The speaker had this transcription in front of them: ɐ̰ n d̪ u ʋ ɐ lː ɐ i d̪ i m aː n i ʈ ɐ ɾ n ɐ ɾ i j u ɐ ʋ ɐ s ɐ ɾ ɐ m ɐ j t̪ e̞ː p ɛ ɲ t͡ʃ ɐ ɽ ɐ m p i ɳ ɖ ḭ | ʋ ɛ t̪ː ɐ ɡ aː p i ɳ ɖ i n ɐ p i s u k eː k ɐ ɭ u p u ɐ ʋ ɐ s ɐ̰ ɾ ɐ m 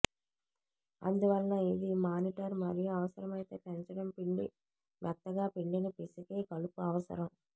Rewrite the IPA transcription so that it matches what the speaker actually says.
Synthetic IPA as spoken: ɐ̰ n d̪ u ʋ ɐ lː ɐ i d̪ i m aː n i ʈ ɐ ɾ m ɐ ɾ i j u ɐ ʋ ɐ s ɐ ɾ ɐ m ɐ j t̪ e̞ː p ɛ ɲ t͡ʃ ɐ ɽ ɐ m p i ɳ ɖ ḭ | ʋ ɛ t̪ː ɐ ɡ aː p i ɳ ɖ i n ɐ p i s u k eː k ɐ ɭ u p u ɐ ʋ ɐ s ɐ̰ ɾ ɐ m